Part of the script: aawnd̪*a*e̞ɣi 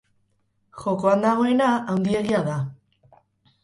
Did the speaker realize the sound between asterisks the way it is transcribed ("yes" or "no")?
no